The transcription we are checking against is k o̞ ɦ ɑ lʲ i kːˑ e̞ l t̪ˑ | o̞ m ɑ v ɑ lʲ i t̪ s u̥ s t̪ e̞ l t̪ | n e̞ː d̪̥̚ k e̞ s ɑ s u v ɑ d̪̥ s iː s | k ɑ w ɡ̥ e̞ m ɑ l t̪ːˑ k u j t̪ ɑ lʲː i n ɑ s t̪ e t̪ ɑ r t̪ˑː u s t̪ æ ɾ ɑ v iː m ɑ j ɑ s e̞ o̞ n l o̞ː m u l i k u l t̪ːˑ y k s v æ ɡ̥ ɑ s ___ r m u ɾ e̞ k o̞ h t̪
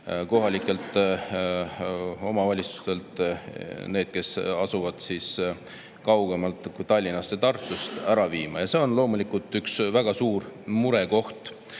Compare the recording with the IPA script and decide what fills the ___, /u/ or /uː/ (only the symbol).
uː